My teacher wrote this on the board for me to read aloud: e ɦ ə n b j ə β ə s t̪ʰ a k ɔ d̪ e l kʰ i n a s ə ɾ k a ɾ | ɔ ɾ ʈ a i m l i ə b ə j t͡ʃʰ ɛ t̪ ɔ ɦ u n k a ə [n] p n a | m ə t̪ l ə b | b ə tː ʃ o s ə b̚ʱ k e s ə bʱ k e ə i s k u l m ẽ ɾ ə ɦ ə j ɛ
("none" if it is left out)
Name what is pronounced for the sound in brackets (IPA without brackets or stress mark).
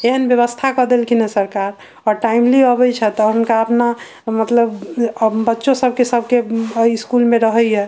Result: none